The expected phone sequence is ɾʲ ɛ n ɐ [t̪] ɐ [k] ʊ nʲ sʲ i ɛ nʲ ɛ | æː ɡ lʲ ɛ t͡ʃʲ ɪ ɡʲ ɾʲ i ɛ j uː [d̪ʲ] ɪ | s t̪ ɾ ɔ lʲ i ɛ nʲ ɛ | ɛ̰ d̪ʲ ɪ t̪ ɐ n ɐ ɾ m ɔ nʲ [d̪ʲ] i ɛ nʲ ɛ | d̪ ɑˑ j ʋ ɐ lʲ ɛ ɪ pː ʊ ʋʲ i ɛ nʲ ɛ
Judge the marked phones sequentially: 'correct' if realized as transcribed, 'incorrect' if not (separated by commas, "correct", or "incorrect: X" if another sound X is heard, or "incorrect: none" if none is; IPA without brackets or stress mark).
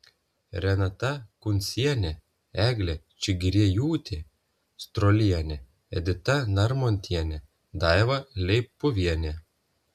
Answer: correct, correct, incorrect: t̪ʲ, incorrect: t̪ʲ